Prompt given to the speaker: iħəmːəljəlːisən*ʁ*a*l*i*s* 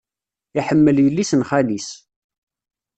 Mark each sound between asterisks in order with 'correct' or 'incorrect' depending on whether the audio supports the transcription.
incorrect: χ, correct, correct

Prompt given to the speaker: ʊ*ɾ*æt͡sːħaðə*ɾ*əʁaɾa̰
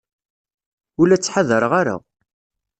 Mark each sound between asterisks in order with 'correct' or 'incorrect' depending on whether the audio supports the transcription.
incorrect: l, correct

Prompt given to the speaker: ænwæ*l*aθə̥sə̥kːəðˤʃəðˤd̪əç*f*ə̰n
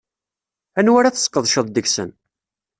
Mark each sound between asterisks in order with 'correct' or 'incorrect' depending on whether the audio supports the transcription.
incorrect: ɾ, incorrect: s

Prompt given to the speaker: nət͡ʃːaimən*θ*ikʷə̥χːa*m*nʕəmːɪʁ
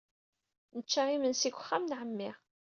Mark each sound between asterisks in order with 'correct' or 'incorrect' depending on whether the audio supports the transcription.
incorrect: s, correct

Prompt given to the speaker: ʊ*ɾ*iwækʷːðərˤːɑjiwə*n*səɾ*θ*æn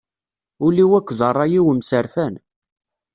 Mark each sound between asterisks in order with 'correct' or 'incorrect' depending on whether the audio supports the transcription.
incorrect: l, incorrect: m, incorrect: f

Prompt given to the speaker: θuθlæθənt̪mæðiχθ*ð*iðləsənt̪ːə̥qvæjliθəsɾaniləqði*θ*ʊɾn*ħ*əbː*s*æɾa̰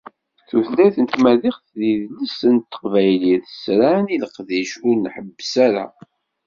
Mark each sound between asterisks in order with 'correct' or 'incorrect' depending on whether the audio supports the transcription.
correct, incorrect: ʃ, correct, correct

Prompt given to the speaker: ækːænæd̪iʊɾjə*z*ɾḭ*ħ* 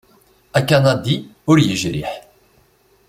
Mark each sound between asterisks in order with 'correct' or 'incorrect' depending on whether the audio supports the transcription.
incorrect: ʒ, correct

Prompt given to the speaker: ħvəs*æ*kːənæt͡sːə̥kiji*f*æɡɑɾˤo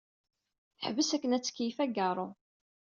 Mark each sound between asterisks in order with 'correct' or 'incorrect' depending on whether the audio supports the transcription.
correct, correct

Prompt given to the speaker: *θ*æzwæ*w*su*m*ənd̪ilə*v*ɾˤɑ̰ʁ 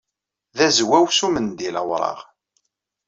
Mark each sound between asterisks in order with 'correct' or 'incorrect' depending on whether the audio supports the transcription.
incorrect: ð, correct, correct, incorrect: w

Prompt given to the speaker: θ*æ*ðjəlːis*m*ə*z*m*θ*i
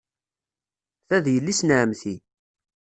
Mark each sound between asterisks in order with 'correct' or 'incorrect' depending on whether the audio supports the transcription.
correct, incorrect: n, incorrect: ʕ, correct

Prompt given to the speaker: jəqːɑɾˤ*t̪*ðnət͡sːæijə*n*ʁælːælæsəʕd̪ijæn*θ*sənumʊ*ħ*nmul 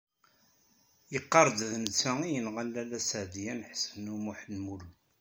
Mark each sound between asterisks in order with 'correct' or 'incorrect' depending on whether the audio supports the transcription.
incorrect: d̪, correct, incorrect: ħ, correct

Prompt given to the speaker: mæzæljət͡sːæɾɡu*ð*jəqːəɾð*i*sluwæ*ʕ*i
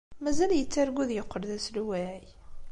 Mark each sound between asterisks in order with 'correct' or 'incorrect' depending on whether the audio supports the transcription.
correct, incorrect: æ, correct

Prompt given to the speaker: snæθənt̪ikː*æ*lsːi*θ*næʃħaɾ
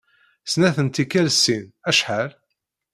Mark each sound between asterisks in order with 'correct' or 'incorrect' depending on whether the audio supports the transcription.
correct, incorrect: none

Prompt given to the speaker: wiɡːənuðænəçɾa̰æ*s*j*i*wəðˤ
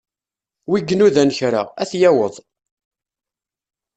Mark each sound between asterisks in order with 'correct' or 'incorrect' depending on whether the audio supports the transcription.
incorrect: θ, incorrect: æ

